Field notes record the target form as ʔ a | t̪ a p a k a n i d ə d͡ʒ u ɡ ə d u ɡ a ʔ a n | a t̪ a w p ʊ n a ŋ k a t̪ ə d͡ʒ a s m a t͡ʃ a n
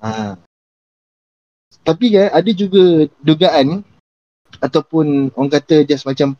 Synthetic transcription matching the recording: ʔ a | t̪ a p i k a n a d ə d͡ʒ u ɡ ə d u ɡ a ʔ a n | a t̪ a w p ʊ n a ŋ k a t̪ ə d͡ʒ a s m a t͡ʃ a m